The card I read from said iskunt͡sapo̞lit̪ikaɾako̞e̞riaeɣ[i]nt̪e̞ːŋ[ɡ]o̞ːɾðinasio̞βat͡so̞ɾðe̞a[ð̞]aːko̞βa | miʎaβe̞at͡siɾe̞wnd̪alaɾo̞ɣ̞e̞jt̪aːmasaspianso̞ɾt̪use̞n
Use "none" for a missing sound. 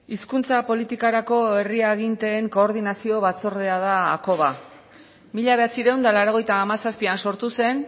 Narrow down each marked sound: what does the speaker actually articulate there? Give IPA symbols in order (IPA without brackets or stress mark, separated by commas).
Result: i, k, ð̞